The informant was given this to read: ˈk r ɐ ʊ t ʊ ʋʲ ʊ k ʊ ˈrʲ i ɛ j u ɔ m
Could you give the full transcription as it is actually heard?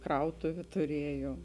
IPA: ˈk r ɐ ʊ t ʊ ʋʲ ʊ t ʊ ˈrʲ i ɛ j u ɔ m